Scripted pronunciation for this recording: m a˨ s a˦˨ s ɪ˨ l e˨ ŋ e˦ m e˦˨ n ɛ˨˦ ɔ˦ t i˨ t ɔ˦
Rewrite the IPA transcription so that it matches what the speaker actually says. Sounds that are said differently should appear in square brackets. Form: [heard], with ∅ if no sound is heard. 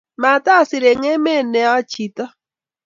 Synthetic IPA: m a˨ [t] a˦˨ s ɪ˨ [ɾ] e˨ ŋ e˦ m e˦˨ n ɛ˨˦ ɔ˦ [t͡ʃ] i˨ t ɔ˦